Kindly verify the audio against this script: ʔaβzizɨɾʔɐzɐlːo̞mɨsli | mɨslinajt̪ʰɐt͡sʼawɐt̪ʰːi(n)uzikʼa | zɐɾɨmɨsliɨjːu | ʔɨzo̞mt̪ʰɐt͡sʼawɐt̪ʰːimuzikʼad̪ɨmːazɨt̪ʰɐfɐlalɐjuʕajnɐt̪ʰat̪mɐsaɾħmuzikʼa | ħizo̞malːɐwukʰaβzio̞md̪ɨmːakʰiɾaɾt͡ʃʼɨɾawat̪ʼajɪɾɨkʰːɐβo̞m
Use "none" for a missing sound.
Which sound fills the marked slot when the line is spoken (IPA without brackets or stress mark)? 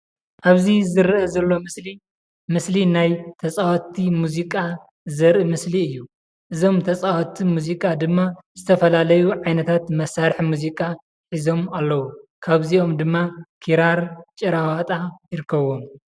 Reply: m